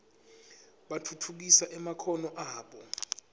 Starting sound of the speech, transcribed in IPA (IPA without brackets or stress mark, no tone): ɓ